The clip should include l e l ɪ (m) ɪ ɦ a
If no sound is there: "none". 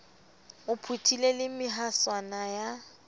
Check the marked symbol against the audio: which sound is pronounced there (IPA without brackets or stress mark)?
m